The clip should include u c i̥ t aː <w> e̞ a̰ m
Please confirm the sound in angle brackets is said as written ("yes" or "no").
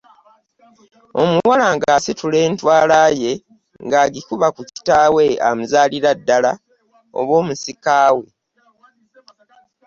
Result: yes